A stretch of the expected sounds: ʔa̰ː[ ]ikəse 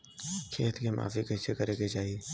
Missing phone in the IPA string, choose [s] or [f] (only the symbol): f